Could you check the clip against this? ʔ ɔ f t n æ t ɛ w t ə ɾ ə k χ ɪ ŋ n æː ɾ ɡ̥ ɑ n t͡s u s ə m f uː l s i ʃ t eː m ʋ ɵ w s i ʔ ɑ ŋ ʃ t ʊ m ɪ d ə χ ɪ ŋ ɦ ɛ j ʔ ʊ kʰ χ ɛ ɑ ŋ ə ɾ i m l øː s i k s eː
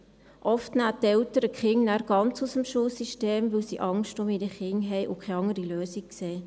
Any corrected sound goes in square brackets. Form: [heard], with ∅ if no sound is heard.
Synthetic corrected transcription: ʔ ɔ f t n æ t ɛ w t ə ɾ ə k χ ɪ ŋ n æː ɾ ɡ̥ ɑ n t͡s u s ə m [ʃ] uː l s i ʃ t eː m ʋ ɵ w s i ʔ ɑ ŋ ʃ t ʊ m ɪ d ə χ ɪ ŋ ɦ ɛ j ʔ ʊ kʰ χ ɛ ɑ ŋ ə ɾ i [∅] l øː s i k s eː